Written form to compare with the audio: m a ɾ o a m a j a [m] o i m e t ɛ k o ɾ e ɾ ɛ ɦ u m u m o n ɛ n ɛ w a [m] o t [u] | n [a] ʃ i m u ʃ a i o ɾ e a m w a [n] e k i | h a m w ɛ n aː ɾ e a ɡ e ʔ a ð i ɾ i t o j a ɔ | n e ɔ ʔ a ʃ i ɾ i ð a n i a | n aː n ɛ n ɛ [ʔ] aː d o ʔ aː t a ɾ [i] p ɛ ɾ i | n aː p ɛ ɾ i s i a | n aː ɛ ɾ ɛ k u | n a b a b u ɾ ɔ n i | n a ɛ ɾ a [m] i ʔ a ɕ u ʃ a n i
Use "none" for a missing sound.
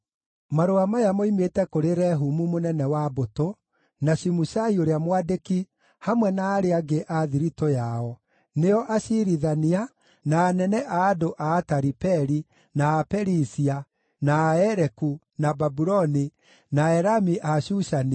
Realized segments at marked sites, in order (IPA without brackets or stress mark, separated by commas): m, b, o, a, d, ʔ, i, m